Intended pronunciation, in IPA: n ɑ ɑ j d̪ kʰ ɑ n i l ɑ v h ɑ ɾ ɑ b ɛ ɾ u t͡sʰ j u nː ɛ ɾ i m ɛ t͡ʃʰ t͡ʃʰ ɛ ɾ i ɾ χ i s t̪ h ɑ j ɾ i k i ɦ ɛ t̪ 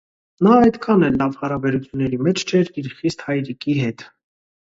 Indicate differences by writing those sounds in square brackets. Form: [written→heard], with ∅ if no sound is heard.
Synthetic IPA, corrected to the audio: n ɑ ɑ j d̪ kʰ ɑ n [i→ɛ] l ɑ v h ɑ ɾ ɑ b ɛ ɾ u t͡sʰ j u nː ɛ ɾ i m ɛ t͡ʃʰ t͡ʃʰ ɛ ɾ i ɾ χ i s t̪ h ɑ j ɾ i k i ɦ ɛ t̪

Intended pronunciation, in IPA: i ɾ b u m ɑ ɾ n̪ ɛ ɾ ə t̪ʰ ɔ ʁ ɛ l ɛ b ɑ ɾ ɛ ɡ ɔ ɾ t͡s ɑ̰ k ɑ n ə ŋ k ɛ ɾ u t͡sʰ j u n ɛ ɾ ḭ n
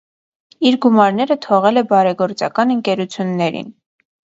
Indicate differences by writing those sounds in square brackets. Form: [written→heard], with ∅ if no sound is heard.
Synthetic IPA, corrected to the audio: i ɾ [b→ɡ] u m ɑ ɾ n̪ ɛ ɾ ə t̪ʰ ɔ ʁ ɛ l ɛ b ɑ ɾ ɛ ɡ ɔ ɾ t͡s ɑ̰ k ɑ n ə ŋ k ɛ ɾ u t͡sʰ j u [n→nː] ɛ ɾ ḭ n

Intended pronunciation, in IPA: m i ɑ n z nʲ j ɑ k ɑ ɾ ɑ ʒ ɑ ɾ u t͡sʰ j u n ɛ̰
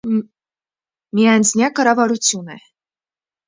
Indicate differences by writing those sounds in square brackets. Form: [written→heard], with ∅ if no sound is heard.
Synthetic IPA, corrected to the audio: m i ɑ n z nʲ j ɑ k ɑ ɾ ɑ [ʒ→v] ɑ ɾ u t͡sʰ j u n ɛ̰

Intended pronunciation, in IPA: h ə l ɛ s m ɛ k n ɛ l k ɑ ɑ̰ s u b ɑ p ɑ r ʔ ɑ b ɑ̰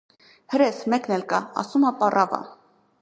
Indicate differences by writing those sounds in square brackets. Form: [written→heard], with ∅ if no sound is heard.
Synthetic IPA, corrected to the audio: h ə [l→ɾ] ɛ s m ɛ k n ɛ l k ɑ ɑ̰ s u [b→m] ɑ p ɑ r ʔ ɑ [b→v] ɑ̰

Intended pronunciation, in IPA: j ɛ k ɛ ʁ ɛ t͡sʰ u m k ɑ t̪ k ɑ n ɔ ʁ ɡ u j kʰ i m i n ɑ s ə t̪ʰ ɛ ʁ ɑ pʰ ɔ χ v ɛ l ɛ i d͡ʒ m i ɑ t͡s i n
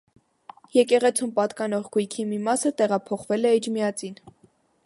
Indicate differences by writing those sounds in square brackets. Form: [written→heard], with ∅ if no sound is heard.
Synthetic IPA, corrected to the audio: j ɛ k ɛ ʁ ɛ t͡sʰ u m [k→p] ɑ t̪ k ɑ n ɔ ʁ ɡ u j kʰ i m i [n→m] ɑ s ə [t̪ʰ→t̪] ɛ ʁ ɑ pʰ ɔ χ v ɛ l ɛ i d͡ʒ m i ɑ t͡s i n

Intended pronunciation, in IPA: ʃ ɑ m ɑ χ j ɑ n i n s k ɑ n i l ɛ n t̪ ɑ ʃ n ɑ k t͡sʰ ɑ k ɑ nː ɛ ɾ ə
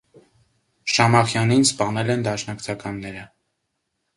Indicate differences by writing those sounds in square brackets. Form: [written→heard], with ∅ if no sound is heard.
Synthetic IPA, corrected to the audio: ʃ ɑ m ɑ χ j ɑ n i n s [k→p] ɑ n [i→ɛ] l ɛ n [t̪→d̪] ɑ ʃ n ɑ k t͡sʰ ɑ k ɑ nː ɛ ɾ ə

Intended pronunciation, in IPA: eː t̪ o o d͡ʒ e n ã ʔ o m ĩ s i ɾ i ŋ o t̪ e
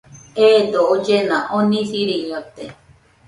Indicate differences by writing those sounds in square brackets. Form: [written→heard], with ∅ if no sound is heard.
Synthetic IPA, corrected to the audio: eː [t̪→d̪] o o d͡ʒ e n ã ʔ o [m→n] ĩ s i ɾ i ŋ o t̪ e

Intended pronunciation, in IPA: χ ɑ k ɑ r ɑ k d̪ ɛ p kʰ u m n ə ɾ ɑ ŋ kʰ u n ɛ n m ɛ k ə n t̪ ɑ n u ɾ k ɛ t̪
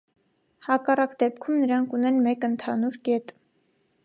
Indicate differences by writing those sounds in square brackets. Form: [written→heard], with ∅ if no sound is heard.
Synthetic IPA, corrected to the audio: [χ→h] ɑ k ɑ r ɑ k d̪ ɛ p kʰ u m n ə ɾ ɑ ŋ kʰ u n ɛ n m ɛ k ə n [t̪→t̪ʰ] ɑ n u ɾ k ɛ t̪

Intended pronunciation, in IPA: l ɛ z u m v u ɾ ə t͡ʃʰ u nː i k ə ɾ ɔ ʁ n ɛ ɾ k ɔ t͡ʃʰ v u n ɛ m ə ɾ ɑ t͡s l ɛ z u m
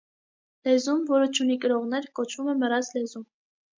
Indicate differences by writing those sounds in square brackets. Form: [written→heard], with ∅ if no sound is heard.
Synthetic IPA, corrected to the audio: l ɛ z u m v [u→ɔ] ɾ ə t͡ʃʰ u [nː→n] i k ə ɾ ɔ ʁ n ɛ ɾ k ɔ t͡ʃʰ v u [n→m] ɛ m ə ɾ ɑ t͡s l ɛ z u m

